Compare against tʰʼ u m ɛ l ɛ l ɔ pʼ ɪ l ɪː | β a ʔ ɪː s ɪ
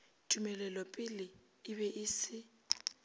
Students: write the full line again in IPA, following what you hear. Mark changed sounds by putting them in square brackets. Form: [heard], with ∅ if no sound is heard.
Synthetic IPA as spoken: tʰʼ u m ɛ l ɛ l ɔ pʼ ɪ l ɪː | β [ɛ] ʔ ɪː s ɪ